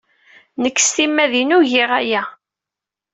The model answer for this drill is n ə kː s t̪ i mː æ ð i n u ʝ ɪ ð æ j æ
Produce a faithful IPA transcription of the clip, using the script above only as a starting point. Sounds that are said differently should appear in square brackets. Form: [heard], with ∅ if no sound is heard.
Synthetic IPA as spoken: n ə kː s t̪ i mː æ ð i n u ʝ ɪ [ʁ] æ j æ